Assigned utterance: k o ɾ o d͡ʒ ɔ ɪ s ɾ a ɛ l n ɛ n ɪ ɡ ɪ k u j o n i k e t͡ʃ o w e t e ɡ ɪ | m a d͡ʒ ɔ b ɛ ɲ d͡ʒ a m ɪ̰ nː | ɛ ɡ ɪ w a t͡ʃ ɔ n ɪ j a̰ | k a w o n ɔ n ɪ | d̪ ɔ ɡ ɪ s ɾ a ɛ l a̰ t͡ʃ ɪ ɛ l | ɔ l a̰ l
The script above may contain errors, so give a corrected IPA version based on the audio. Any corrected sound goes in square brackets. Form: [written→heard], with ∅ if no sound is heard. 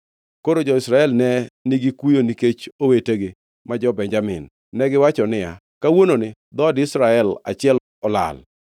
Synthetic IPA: k o ɾ o d͡ʒ ɔ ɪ s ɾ a ɛ l n ɛ n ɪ ɡ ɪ k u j o n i k e t͡ʃ o w e t e ɡ ɪ | m a d͡ʒ ɔ b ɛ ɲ d͡ʒ a m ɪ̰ nː | ɛ ɡ ɪ w a t͡ʃ ɔ n ɪ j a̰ | k a w o n [ɔ→o] n ɪ | d̪ ɔ [ɡ→d] ɪ s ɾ a ɛ l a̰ t͡ʃ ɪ ɛ l | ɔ l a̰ l